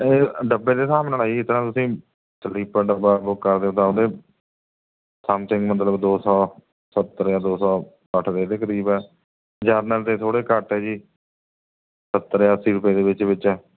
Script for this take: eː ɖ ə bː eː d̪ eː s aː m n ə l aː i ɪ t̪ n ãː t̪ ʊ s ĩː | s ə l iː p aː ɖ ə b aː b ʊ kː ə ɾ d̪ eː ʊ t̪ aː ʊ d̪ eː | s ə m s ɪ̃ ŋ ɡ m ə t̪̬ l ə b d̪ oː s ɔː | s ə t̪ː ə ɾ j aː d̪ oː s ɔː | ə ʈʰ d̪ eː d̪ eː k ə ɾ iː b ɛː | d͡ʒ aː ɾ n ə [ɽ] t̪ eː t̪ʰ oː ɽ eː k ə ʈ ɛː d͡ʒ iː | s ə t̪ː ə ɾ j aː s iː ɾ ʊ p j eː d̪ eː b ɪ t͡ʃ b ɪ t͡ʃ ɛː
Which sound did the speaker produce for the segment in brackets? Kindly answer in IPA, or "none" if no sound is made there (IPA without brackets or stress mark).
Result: l